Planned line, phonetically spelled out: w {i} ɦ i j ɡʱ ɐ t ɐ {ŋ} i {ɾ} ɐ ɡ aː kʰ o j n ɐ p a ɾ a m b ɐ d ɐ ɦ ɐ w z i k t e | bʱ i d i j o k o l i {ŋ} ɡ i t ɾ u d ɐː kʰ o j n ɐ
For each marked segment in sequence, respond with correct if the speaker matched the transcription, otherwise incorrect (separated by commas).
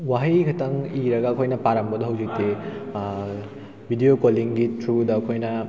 incorrect, correct, correct, correct